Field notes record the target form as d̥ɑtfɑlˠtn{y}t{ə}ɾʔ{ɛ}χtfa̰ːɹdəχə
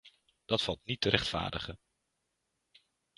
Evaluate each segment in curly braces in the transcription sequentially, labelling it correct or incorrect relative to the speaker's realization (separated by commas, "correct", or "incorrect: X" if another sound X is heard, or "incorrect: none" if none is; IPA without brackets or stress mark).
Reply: incorrect: i, correct, correct